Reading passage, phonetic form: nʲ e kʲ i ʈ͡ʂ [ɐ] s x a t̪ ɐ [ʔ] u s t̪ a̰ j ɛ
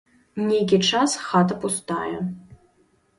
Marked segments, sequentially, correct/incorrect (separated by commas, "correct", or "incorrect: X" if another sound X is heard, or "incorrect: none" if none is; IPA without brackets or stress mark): incorrect: a, incorrect: p